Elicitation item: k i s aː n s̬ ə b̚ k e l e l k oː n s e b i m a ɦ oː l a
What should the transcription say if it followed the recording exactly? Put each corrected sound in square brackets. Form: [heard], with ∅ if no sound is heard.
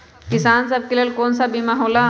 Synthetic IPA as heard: k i s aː n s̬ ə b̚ k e l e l k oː n s [a] b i m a ɦ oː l a